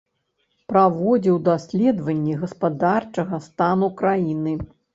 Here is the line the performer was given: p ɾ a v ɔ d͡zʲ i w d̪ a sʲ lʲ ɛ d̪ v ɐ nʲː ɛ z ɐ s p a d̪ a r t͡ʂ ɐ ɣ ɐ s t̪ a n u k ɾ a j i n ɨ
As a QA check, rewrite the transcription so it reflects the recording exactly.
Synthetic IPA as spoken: p ɾ a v ɔ d͡zʲ i w d̪ a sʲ lʲ ɛ d̪ v ɐ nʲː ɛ ɣ ɐ s p a d̪ a r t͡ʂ ɐ ɣ ɐ s t̪ a n u k ɾ a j i n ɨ

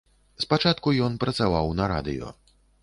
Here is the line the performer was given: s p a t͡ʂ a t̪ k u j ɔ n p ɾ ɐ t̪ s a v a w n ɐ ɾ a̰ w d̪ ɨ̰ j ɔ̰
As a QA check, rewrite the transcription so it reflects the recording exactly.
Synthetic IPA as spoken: s p a t͡ʂ a t̪ k u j ɔ n p ɾ ɐ t̪ s a v a w n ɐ ɾ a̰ d̪ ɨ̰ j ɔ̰

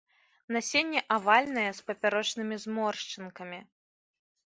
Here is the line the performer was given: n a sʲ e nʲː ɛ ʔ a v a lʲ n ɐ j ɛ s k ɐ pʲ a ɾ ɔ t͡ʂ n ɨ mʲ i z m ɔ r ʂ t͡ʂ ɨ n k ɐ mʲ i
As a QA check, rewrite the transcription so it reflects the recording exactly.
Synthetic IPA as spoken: n a sʲ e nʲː ɛ ʔ a v a lʲ n ɐ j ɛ s p ɐ pʲ a ɾ ɔ t͡ʂ n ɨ mʲ i z m ɔ r ʂ t͡ʂ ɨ n k ɐ mʲ i

